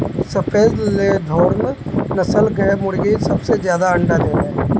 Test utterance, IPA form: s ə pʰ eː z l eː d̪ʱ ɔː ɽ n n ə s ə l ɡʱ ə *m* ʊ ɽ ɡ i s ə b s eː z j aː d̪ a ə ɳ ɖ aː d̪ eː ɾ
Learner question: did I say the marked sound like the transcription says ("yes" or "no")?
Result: yes